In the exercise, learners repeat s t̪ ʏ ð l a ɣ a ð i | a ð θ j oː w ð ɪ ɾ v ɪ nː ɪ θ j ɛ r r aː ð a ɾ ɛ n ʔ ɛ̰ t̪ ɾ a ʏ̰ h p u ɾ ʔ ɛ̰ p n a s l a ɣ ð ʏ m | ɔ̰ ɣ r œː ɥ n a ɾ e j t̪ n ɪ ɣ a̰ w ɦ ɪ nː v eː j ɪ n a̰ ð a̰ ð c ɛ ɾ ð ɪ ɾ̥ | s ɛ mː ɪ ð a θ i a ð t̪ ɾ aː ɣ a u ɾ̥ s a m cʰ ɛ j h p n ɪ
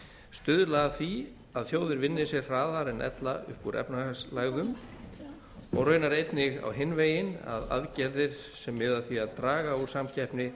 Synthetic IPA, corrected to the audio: s t̪ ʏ ð l a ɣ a θ i | a ð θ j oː w ð ɪ ɾ v ɪ nː ɪ s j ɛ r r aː ð a ɾ ɛ n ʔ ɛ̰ t̪ l a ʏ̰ h p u ɾ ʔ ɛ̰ p n a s l a ɣ ð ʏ m | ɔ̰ ɣ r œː ɥ n a ɾ e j t̪ n ɪ ɣ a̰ w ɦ ɪ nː v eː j ɪ n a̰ ð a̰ ð c ɛ ɾ ð ɪ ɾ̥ | s ɛ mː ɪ ð a θ i a ð t̪ ɾ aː ɣ a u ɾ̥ s a m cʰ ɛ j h p n ɪ